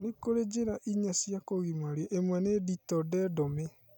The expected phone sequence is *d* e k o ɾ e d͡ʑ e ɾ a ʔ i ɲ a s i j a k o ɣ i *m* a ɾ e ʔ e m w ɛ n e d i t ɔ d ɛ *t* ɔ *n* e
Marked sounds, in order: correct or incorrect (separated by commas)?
incorrect, correct, incorrect, incorrect